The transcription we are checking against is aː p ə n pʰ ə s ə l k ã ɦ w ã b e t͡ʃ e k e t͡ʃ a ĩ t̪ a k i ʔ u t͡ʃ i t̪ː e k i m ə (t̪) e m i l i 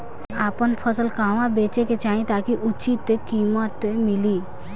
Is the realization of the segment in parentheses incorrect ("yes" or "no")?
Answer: no